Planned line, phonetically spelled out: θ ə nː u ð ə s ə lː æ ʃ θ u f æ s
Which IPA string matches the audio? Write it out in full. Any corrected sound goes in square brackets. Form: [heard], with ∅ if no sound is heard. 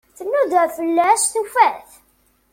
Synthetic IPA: θ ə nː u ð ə [f] ə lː æ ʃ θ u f æ [θ]